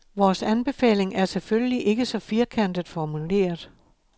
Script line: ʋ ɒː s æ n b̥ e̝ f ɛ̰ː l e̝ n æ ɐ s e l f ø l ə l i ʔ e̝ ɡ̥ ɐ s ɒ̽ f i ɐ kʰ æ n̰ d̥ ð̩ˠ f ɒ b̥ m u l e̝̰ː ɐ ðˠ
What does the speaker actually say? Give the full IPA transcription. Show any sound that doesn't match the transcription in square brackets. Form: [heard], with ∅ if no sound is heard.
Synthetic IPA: ʋ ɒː s æ n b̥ e̝ f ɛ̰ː l e̝ [ŋ] æ ɐ s e l f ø l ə l i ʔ e̝ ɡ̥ [ə] s ɒ̽ f i ɐ kʰ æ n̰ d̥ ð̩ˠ f ɒ [∅] m u l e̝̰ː ɐ ðˠ